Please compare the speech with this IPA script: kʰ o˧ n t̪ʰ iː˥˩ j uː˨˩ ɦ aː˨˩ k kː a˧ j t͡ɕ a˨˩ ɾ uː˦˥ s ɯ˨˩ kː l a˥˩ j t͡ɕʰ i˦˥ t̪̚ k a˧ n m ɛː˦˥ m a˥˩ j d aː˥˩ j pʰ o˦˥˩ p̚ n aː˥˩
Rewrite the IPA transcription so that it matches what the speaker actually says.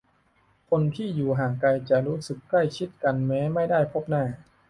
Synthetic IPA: kʰ o˧ n t̪ʰ iː˥˩ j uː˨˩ ɦ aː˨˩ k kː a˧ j t͡ɕ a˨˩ ɾ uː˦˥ s ɯ˨˩ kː l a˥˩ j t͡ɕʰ i˦˥ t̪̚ k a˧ n m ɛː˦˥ m a˥˩ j d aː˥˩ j pʰ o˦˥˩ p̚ n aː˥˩